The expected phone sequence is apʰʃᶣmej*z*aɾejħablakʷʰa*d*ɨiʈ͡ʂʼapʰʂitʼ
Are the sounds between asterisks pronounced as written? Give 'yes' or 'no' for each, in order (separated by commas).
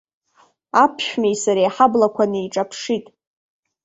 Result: no, no